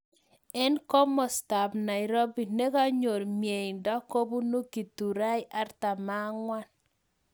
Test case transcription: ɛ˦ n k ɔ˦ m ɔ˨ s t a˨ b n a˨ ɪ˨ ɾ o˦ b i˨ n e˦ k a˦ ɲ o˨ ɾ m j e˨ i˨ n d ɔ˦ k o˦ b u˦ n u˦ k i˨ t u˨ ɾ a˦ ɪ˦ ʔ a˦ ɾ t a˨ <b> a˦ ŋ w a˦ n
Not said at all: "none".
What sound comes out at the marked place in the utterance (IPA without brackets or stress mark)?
m